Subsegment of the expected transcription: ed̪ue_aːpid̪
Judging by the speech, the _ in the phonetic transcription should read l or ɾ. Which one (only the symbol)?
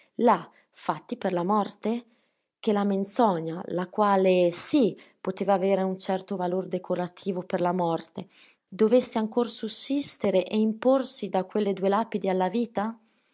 l